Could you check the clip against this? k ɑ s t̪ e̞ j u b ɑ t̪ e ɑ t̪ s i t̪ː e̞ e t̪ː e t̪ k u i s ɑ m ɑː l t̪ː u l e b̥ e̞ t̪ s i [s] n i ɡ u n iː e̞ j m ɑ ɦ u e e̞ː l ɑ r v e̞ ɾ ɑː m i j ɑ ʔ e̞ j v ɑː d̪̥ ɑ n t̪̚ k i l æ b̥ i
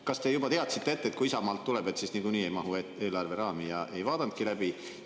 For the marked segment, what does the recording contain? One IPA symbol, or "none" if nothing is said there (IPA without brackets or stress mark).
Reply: s